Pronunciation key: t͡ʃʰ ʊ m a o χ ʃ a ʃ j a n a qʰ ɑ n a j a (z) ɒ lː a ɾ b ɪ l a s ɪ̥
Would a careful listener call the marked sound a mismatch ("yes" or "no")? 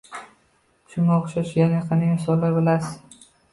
yes